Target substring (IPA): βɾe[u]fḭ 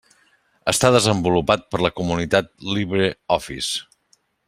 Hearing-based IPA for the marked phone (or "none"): ɔ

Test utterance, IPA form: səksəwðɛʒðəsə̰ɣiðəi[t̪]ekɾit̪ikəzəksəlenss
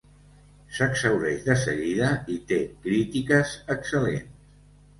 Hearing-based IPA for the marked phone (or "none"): t̪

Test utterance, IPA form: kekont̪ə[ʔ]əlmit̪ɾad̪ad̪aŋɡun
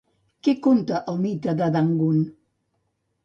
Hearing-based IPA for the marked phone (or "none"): ʔ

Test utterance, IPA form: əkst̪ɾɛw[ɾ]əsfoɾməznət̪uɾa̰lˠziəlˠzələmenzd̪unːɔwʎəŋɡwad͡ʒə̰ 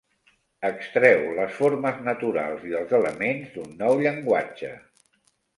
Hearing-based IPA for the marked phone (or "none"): l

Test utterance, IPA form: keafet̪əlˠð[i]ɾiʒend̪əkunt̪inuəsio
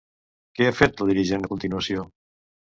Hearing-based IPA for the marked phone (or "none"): i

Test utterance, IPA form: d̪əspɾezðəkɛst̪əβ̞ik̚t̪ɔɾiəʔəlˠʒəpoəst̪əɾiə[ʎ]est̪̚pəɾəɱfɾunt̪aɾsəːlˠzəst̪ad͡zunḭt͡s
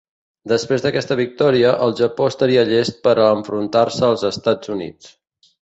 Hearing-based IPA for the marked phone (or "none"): ʎ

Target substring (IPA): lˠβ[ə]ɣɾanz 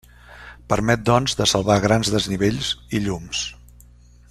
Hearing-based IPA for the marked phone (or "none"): a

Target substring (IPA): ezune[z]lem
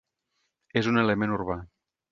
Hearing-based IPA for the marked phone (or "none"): none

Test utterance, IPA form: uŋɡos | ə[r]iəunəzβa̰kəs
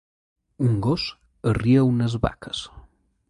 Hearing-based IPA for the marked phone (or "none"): r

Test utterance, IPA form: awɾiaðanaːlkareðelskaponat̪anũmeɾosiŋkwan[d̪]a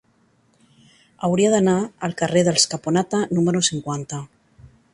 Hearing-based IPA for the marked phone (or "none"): t̪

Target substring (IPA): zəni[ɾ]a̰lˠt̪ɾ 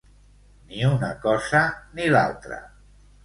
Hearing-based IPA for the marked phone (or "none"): l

